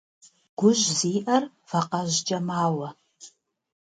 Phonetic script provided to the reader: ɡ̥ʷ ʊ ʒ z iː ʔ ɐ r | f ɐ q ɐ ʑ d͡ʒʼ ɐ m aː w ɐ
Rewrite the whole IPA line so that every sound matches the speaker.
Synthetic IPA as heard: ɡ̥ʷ ʊ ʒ z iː ʔ ɐ r | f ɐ q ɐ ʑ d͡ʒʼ ɐ m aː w ɐ